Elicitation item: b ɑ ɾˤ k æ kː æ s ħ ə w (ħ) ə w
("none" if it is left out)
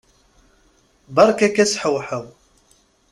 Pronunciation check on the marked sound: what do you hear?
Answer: ħ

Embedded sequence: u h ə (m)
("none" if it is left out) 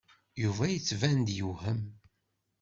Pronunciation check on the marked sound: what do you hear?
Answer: m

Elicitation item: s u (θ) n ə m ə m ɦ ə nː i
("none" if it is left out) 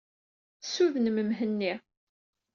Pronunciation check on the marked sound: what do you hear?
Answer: ð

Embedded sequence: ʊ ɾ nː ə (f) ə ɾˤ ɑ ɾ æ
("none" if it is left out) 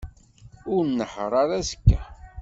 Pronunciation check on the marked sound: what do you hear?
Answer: ħ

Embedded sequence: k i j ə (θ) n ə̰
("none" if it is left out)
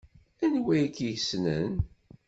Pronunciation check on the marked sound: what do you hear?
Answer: s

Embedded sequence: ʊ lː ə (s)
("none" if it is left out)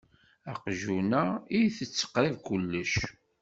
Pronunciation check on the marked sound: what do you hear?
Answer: ʃ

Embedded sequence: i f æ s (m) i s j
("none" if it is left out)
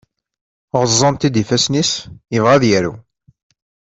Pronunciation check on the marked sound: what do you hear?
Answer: n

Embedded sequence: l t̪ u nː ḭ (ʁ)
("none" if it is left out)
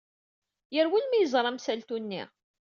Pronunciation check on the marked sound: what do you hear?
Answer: ʁ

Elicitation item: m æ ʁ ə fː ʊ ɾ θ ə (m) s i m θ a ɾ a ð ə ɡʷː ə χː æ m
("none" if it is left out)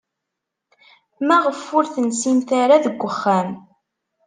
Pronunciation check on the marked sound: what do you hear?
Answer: n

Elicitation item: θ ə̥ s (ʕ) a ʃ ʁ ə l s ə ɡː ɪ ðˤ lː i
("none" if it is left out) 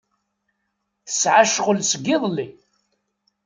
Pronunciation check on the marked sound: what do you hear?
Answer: ʕ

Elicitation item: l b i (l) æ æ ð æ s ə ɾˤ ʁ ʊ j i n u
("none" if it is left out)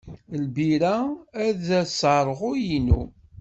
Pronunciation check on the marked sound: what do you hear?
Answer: ɾ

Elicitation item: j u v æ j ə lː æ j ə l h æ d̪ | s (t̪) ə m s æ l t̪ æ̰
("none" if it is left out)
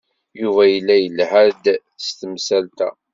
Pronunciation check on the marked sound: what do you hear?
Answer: t̪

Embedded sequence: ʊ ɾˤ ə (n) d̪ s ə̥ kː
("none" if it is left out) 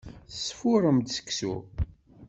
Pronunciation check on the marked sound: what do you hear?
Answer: m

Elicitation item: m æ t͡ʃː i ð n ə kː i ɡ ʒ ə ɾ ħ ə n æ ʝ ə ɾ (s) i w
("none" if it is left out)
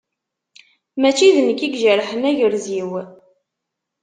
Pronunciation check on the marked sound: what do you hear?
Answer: z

